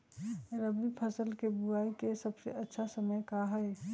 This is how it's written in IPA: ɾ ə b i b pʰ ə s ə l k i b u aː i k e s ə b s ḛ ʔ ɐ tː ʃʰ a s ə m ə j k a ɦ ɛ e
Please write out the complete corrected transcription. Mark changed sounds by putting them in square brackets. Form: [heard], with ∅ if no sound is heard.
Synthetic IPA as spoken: ɾ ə b i [∅] pʰ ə s ə l k [e] b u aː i k e s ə b s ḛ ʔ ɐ tː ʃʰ a s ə m ə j k a ɦ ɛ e